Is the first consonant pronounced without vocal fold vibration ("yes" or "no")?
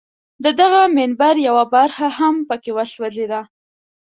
no